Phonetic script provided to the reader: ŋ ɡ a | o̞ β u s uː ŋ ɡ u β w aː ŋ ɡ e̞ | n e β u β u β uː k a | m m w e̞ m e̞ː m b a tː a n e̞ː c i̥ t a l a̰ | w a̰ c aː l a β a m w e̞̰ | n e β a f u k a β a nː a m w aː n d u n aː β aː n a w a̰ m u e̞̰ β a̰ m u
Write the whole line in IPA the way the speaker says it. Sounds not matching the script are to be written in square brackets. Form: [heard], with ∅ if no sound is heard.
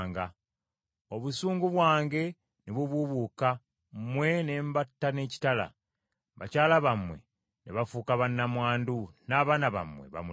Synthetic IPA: ŋ ɡ a | o̞ β u s uː ŋ ɡ u β w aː ŋ ɡ e̞ | n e β u β u β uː k a | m m w e̞ [n] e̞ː m b a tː a n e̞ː c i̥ t a l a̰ | [β] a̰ c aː l a β a m w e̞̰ | n e β a f u k a β a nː a m w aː n d u n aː β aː n a [β] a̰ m [w] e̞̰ β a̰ m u